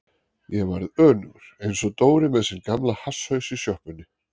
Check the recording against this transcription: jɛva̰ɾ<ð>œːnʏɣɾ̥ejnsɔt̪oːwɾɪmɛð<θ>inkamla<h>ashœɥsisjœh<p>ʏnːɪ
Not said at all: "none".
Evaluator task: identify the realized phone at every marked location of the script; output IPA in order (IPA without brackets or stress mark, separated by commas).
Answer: ð, s, h, p